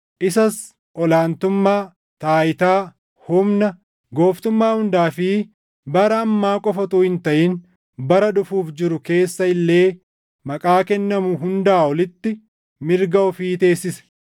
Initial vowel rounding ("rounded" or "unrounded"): unrounded